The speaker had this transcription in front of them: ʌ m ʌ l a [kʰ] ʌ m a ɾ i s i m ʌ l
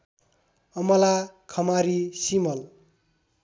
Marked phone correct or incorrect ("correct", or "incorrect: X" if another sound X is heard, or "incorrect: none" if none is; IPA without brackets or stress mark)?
correct